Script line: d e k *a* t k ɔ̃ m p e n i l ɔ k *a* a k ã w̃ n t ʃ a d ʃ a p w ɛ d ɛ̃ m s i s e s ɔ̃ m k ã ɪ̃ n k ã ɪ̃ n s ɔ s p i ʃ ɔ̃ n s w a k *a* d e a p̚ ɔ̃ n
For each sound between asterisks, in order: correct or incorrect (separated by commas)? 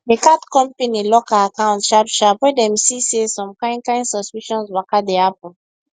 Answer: correct, correct, correct